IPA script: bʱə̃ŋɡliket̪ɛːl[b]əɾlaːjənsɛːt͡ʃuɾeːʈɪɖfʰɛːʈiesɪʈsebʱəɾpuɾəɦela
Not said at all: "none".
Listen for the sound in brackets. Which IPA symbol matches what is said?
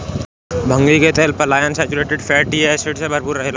p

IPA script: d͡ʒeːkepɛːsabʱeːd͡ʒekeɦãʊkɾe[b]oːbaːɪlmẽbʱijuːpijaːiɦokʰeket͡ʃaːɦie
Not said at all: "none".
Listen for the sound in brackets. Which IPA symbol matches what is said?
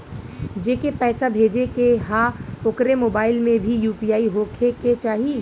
m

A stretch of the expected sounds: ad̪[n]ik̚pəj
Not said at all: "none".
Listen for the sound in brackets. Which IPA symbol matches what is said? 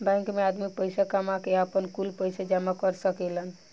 m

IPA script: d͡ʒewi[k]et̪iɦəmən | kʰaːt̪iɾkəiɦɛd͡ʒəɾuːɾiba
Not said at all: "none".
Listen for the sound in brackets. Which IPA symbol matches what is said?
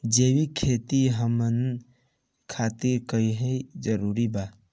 kʰ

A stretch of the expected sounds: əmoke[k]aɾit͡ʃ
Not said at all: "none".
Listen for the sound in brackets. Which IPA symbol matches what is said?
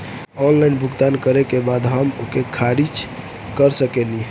kʰ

